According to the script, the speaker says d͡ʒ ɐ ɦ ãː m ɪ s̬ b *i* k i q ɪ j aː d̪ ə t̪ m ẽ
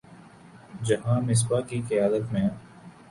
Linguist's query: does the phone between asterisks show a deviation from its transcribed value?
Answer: yes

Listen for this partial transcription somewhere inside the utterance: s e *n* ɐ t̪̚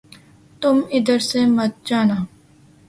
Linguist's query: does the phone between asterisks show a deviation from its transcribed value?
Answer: yes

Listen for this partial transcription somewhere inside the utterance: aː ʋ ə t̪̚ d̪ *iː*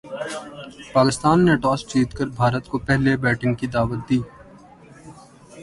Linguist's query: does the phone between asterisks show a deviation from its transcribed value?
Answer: no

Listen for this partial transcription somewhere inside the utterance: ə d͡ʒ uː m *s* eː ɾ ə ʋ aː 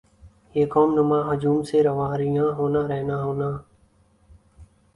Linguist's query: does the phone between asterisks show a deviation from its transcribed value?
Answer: no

